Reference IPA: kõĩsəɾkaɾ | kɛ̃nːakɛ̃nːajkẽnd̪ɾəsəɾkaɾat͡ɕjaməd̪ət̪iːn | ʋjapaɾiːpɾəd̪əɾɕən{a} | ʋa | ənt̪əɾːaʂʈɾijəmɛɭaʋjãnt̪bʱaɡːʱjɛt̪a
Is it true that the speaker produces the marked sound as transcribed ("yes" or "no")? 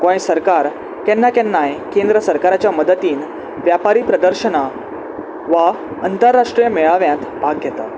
yes